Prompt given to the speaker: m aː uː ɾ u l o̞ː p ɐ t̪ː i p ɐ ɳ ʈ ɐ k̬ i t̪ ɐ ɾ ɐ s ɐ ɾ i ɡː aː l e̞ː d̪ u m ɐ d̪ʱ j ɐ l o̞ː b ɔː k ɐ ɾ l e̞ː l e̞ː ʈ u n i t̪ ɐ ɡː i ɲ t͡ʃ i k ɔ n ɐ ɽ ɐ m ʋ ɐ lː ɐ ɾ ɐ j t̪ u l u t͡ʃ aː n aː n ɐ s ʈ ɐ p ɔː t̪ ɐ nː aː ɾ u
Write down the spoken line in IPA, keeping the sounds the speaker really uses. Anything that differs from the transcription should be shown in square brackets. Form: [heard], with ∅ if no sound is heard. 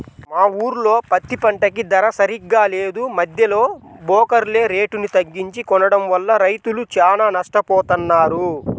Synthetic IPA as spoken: m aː uː ɾ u l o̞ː p ɐ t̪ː i p ɐ ɳ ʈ ɐ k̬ i [d̪] ɐ ɾ ɐ s ɐ ɾ i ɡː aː l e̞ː d̪ u m ɐ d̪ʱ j ɐ l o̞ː b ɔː k ɐ ɾ l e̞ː [ɾ] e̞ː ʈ u n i t̪ ɐ ɡː i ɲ t͡ʃ i k ɔ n ɐ ɽ ɐ m ʋ ɐ lː ɐ ɾ ɐ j t̪ u l u t͡ʃ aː n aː n ɐ [ʂ] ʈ ɐ p ɔː t̪ ɐ nː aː ɾ u